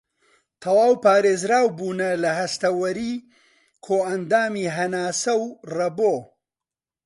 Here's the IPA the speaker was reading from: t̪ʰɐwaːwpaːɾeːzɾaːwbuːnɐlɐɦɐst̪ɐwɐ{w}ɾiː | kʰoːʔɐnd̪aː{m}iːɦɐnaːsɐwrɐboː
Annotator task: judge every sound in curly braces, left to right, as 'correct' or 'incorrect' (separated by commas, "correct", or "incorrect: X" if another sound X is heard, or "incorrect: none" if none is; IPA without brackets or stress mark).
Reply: incorrect: none, correct